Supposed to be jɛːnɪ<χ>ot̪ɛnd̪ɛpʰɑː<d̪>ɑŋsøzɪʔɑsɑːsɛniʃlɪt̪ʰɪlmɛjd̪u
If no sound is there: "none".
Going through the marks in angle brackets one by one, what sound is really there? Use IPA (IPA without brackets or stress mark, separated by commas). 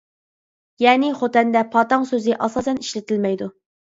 χ, t̪